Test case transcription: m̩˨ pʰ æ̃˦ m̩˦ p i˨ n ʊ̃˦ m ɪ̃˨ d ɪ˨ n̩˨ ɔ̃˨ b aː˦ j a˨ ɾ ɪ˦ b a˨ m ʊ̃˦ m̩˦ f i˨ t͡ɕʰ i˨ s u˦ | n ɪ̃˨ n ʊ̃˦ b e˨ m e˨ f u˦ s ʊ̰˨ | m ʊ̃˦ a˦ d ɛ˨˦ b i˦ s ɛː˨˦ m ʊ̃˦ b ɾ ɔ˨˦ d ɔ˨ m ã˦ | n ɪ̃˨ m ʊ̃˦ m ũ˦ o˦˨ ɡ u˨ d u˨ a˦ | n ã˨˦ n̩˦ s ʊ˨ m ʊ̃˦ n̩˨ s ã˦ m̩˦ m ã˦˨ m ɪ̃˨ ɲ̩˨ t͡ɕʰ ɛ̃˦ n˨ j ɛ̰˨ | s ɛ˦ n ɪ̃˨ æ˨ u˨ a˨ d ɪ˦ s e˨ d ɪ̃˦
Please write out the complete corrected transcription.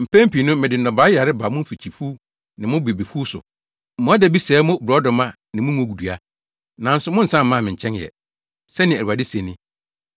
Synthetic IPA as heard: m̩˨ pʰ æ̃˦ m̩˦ p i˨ n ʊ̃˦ m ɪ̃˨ d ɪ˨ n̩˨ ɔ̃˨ b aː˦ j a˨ ɾ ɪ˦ b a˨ m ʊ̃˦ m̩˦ f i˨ t͡ɕʰ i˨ f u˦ | n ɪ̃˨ m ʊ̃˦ b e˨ b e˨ f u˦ s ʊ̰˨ | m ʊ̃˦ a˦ d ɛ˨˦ b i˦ s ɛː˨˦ m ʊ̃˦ b ɾ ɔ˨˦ d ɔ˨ m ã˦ | n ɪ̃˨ m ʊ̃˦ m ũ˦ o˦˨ ɡ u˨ d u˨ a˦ | n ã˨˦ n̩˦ s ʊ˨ m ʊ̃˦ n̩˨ s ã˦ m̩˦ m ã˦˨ m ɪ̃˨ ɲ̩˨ t͡ɕʰ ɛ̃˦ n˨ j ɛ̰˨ | s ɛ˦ n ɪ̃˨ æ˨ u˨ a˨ d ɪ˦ s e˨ n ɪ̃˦